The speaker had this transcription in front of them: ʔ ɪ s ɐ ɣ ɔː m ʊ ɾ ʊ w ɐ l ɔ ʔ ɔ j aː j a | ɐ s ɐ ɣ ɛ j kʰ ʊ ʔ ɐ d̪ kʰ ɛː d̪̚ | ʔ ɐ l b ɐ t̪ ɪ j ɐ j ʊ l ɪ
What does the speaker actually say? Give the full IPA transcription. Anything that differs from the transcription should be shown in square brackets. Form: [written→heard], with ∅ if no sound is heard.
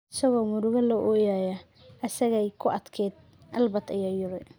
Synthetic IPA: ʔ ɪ s ɐ ɣ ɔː m ʊ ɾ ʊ [w→ɣ] ɐ l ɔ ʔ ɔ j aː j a | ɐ s ɐ ɣ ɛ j kʰ ʊ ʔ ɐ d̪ kʰ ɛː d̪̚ | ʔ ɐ l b ɐ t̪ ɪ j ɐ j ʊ [l→ɾ] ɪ

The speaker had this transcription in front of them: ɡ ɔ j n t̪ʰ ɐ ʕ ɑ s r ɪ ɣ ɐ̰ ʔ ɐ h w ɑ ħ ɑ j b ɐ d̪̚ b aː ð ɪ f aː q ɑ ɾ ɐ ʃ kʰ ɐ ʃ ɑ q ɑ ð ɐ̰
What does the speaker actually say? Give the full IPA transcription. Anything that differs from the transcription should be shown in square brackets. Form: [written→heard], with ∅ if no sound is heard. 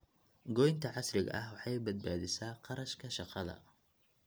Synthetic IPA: ɡ ɔ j n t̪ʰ ɐ ʕ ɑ s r ɪ ɣ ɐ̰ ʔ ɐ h w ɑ ħ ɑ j b ɐ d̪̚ b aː ð ɪ [f→s] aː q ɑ ɾ ɐ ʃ kʰ ɐ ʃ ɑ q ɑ ð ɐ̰

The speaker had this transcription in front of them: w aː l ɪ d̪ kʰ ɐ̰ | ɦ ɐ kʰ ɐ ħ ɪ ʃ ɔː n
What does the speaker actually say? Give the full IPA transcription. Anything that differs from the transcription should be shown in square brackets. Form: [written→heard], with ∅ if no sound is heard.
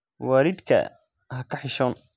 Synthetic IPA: w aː [l→ɾ] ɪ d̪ kʰ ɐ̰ | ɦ ɐ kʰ ɐ ħ ɪ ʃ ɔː n

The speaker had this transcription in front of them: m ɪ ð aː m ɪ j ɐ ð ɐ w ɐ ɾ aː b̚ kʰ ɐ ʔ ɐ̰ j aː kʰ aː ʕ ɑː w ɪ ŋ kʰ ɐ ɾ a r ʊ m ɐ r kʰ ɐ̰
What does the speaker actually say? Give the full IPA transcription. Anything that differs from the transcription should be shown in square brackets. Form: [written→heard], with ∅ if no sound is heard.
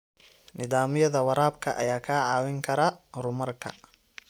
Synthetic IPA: [m→n] ɪ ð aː m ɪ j ɐ ð ɐ w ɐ ɾ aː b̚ kʰ ɐ ʔ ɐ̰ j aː kʰ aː ʕ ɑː w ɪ ŋ kʰ ɐ ɾ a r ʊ m ɐ r kʰ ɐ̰

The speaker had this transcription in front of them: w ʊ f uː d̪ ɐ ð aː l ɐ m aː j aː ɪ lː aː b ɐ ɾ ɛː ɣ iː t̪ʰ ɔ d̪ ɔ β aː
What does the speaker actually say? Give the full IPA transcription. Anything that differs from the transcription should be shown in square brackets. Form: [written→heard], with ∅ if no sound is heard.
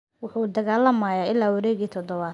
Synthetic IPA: w ʊ [f→ħ] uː d̪ ɐ [ð→ɣ] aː l ɐ m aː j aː ɪ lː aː [b→w] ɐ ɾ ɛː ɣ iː t̪ʰ ɔ d̪ ɔ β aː

